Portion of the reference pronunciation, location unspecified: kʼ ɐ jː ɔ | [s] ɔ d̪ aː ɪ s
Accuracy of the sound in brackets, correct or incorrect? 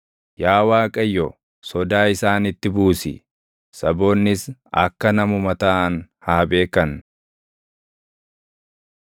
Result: correct